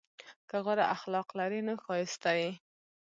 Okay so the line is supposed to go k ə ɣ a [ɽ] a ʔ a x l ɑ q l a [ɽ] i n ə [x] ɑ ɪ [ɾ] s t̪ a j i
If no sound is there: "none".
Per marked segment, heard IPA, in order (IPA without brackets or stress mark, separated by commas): ɾ, ɾ, x, none